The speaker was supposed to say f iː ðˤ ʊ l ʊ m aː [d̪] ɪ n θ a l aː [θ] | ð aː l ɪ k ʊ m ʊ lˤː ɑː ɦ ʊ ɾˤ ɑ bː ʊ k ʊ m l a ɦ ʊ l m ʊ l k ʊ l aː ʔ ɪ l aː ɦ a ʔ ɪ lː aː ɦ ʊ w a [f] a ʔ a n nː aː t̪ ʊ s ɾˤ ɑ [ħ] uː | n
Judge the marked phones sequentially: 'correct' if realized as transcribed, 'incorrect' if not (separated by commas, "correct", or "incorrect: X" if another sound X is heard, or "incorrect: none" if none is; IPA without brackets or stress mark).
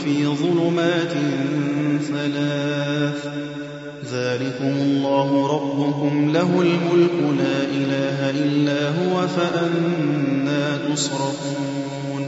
incorrect: t̪, correct, correct, incorrect: f